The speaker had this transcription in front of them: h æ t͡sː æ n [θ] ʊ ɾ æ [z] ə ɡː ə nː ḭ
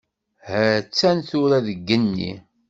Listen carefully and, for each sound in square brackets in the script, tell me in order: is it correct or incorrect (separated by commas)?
correct, incorrect